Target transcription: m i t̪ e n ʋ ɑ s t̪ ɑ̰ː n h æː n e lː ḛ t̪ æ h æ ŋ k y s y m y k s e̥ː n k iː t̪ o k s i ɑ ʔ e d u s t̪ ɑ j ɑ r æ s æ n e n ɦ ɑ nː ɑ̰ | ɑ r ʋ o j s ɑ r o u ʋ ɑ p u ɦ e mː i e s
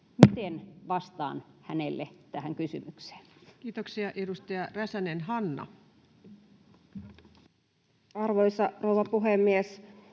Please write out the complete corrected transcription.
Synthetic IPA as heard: m i t̪ e n ʋ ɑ s t̪ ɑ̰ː n h æ n e lː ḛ t̪ æ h æ ŋ k y s y m y k s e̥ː n k iː t̪ o k s i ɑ ʔ e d u s t̪ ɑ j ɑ r æ s æ n e n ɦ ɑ nː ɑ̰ | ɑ r ʋ o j s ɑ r o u ʋ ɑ p u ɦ e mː i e s